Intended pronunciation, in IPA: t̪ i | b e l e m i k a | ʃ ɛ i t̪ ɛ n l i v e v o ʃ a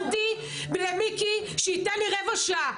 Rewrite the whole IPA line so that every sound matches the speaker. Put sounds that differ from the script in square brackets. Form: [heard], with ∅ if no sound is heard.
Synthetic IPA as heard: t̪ i | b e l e m i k [i] | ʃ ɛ i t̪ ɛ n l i [ʁ] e v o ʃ a